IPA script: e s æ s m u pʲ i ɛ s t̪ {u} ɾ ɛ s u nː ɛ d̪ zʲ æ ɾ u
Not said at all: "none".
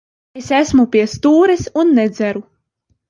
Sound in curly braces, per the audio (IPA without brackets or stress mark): uː